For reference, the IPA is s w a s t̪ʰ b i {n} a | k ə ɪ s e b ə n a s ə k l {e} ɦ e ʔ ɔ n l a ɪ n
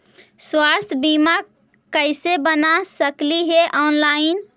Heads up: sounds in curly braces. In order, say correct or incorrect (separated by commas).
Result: incorrect, incorrect